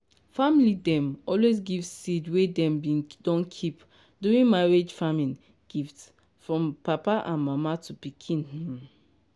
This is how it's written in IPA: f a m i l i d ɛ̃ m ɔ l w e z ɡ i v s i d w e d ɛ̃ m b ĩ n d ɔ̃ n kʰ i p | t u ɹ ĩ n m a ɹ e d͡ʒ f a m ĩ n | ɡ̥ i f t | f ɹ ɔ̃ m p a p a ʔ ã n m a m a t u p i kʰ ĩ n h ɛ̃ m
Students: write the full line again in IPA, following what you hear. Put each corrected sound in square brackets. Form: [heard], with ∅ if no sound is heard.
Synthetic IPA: f a m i l i d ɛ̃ m ɔ l w e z ɡ i v s i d w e d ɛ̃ m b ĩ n d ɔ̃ n kʰ i p | [d] u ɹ ĩ n m a ɹ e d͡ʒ f a m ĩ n | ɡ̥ i f t | f ɹ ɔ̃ m p a p a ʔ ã n m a m a t u p i kʰ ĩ n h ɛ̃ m